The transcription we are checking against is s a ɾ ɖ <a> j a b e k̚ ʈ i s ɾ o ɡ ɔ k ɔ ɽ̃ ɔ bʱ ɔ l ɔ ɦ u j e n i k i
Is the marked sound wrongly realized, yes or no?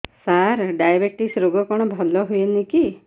no